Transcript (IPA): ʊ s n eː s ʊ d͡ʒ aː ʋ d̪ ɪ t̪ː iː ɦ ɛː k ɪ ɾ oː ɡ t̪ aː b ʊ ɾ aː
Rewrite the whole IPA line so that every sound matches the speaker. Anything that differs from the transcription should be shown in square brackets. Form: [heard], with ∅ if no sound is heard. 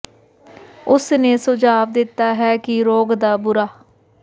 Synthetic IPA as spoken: ʊ s n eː s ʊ d͡ʒ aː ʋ d̪ ɪ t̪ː [aː] ɦ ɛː k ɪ ɾ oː ɡ [d̪] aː b ʊ ɾ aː